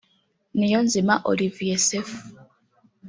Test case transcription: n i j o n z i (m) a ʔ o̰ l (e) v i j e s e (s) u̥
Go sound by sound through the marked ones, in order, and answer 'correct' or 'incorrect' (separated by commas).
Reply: correct, incorrect, incorrect